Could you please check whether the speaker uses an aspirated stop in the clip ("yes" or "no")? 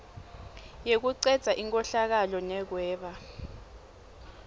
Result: no